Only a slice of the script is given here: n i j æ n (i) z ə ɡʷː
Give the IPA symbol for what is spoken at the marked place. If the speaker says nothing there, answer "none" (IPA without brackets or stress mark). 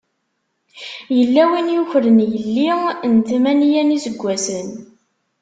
i